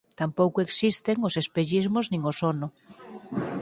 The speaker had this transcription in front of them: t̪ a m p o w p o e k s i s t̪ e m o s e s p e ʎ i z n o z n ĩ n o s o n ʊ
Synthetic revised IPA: t̪ a m p o w k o e k s i s t̪ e ŋ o s e s p e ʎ i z m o z n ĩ ŋ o s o n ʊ

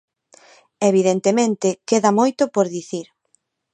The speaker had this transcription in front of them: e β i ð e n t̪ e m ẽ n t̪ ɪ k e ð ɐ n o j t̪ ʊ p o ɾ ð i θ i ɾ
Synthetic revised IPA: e β i ð e n t̪ e m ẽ n t̪ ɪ k e ð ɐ m o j t̪ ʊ p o ɾ ð i θ i ɾ

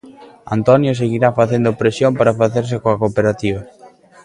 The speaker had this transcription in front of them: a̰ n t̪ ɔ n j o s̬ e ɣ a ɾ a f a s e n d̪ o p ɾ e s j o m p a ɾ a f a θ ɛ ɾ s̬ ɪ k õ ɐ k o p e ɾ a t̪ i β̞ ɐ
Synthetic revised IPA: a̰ n t̪ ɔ n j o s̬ e ɣ i ɾ a f a θ e n d̪ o p ɾ e s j o m p a ɾ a f a θ e ɾ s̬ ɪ k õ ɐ k o p e ɾ a t̪ i β̞ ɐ

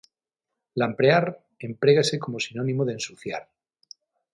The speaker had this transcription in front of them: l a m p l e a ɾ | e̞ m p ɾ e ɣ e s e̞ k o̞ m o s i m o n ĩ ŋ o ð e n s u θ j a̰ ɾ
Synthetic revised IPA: l a m p ɾ e a ɾ | e̞ m p ɾ e ɣ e s e̞ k o̞ m o s i n o n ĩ m o ð e n s u θ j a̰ ɾ

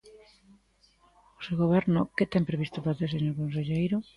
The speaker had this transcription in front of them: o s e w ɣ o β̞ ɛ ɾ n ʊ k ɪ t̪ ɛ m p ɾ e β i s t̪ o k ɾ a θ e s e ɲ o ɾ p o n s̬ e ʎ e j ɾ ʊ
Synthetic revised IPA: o s e w ɣ o β̞ ɛ ɾ n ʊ k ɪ t̪ ɛ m p ɾ e β i s t̪ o p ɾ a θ e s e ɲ o ɾ k o n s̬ e ʎ e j ɾ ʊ

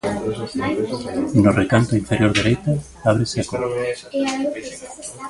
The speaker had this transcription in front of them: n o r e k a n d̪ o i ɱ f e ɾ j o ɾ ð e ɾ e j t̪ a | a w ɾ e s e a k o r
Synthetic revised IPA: n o r e k a n t̪ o i ɱ f e ɾ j o ɾ ð e ɾ e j t̪ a | a β ɾ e s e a k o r

